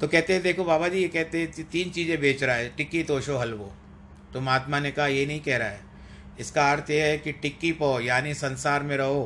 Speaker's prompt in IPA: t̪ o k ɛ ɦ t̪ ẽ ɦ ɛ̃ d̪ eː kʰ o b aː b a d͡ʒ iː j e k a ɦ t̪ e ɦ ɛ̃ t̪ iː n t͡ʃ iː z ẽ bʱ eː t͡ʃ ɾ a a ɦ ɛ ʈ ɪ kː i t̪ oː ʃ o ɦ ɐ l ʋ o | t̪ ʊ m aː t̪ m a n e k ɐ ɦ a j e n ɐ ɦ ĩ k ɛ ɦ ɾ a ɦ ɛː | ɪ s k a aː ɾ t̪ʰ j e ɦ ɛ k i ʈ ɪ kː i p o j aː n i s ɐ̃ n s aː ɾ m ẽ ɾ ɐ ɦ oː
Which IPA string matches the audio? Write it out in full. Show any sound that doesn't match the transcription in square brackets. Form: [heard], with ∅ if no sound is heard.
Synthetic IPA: t̪ o k ɛ ɦ t̪ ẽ ɦ ɛ̃ d̪ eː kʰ o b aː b a d͡ʒ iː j e k [ɛ] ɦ t̪ e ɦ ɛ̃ t̪ iː n t͡ʃ iː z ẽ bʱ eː t͡ʃ ɾ a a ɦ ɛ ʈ ɪ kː i t̪ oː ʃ o ɦ ɐ l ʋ o | t̪ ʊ m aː t̪ m a n e k ɐ ɦ a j e n ɐ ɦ ĩ k ɛ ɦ ɾ a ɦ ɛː | ɪ s k a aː ɾ t̪ʰ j e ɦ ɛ k i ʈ ɪ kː i p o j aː n i s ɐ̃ n s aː ɾ m ẽ ɾ ɐ ɦ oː